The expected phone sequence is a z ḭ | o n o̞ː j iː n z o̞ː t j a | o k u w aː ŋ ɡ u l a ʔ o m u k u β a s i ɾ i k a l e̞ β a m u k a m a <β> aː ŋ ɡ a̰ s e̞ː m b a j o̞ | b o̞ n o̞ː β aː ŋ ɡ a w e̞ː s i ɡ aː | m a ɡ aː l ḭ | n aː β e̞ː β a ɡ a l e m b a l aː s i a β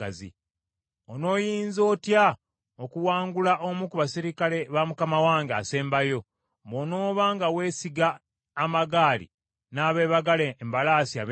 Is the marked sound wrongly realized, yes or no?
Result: yes